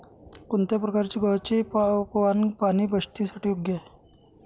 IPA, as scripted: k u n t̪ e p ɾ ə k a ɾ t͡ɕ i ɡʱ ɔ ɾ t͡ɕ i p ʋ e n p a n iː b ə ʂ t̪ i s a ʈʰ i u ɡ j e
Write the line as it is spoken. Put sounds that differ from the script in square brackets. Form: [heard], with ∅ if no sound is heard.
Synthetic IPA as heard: k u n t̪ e p ɾ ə k a ɾ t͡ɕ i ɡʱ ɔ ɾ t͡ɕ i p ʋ [a] n p a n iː b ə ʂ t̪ i s a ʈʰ i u ɡ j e